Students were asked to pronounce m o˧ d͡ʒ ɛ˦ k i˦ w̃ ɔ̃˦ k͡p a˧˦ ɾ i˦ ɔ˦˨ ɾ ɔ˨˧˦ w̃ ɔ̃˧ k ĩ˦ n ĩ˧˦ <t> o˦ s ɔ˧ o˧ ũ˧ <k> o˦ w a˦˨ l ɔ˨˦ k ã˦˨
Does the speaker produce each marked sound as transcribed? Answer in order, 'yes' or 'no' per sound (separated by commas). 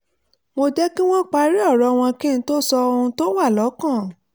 yes, no